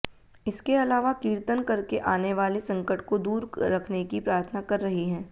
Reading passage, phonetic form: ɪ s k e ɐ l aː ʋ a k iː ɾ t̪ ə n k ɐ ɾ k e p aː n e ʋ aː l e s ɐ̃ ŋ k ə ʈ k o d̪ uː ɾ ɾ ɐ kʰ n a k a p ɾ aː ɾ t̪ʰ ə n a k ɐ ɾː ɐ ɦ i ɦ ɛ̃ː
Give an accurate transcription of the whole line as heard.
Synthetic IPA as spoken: ɪ s k e ɐ l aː ʋ a k iː ɾ t̪ ə n k ɐ ɾ k e ʔ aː n e ʋ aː l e s ɐ̃ ŋ k ə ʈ k o d̪ uː ɾ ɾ ɐ kʰ n e k i p ɾ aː ɾ t̪ʰ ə n a k ɐ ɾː ɐ ɦ i ɦ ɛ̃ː